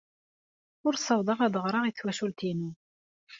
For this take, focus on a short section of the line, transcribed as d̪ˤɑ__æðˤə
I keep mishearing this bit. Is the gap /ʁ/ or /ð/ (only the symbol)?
ʁ